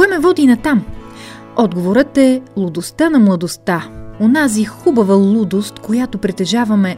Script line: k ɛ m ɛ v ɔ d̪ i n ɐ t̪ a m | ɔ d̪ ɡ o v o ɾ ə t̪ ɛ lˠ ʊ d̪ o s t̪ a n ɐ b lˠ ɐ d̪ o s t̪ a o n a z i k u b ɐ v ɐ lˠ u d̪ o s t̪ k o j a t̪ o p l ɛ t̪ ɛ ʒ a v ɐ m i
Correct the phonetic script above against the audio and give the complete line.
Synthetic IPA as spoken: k ɛ m ɛ v ɔ d̪ i n ɐ t̪ a m | ɔ d̪ ɡ o v o ɾ ə t̪ ɛ lˠ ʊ d̪ o s t̪ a n ɐ m lˠ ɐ d̪ o s t̪ a o n a z i x u b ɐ v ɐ lˠ u d̪ o s t̪ k o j a t̪ o p ɾ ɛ t̪ ɛ ʒ a v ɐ m ɛ